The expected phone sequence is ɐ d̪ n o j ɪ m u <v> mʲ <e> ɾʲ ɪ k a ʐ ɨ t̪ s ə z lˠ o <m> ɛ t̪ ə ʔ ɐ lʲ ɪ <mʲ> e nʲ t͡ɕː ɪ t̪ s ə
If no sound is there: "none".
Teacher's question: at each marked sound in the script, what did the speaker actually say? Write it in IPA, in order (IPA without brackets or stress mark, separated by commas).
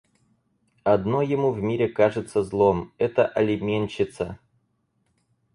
v, i, m, mʲ